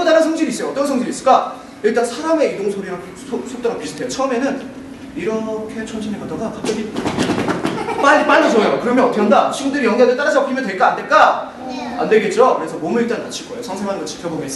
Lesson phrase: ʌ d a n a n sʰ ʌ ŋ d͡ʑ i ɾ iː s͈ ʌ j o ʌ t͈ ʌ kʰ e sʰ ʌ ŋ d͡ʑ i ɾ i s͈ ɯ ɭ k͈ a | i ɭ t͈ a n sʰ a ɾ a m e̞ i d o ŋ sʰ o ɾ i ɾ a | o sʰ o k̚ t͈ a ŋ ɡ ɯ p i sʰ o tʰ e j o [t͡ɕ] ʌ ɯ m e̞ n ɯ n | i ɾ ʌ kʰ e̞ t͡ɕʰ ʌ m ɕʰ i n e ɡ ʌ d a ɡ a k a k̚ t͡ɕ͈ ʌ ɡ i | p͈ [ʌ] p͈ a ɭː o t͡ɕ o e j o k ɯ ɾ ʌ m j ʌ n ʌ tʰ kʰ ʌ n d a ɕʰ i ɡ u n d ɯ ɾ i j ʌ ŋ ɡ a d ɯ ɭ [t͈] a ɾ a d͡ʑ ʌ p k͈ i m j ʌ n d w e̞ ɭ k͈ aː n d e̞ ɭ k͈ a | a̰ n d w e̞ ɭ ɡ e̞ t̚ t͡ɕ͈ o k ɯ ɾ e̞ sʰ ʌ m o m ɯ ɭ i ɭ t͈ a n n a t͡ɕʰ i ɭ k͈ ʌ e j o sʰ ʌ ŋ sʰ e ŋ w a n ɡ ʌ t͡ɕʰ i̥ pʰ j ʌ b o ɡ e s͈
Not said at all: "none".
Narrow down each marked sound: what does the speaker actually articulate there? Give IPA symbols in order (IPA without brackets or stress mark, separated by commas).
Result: t͡ɕʰ, a, t͈